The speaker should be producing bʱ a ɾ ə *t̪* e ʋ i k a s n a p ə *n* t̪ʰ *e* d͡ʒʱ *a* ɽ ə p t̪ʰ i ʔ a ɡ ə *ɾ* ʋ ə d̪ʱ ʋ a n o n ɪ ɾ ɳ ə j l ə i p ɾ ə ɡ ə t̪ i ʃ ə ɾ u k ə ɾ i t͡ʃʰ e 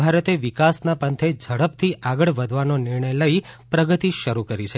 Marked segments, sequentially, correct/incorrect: correct, correct, correct, incorrect: ə, incorrect: ɭ

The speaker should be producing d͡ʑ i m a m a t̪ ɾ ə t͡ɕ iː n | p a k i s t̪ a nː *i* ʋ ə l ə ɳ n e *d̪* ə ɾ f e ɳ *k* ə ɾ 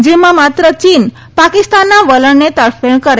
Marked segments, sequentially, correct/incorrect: incorrect: a, incorrect: t̪, correct

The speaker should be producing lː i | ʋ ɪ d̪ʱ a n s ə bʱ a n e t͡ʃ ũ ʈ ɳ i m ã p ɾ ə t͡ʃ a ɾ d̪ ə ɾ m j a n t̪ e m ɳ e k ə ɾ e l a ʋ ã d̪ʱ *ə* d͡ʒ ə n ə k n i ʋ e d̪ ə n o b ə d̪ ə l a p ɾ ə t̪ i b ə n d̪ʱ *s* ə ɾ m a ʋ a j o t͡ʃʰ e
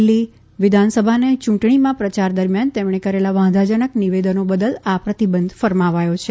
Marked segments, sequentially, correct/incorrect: incorrect: a, incorrect: f

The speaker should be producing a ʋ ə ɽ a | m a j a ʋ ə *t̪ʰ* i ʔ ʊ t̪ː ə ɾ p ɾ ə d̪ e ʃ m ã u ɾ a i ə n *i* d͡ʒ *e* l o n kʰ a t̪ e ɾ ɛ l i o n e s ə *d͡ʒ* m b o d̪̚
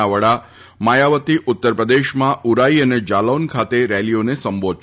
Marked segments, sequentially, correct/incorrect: incorrect: t̪, incorrect: e, incorrect: a, incorrect: none

